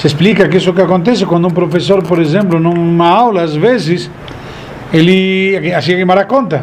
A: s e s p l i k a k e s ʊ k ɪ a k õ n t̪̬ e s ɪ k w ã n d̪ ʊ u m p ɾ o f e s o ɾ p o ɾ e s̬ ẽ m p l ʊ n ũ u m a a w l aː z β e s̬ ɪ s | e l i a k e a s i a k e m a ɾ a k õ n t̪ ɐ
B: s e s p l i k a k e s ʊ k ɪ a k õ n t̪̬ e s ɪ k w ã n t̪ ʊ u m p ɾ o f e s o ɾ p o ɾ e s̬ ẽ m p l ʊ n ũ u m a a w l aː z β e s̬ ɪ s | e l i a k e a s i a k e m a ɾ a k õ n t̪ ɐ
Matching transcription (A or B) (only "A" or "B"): A